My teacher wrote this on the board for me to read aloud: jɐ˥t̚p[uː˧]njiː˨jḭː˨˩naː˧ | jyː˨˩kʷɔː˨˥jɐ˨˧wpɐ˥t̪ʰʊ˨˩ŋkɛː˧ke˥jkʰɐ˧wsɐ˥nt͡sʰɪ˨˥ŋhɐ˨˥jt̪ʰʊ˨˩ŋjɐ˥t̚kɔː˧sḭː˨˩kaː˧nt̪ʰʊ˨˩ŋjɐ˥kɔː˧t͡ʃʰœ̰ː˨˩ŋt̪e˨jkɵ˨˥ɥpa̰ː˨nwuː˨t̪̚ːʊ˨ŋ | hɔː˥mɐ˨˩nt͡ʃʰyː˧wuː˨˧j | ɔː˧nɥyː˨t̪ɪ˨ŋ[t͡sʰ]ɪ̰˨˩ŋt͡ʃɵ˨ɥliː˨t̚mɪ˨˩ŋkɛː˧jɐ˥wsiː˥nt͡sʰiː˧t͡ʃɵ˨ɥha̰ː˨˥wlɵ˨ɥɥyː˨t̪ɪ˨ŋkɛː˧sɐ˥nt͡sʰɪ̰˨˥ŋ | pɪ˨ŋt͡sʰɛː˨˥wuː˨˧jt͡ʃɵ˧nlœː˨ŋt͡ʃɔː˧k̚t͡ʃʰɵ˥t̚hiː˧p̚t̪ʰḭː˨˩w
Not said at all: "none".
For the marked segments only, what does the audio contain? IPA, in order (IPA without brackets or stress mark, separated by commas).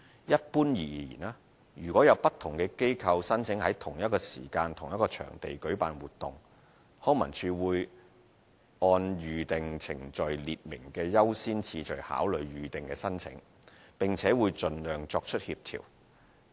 uː˥, t͡sʰ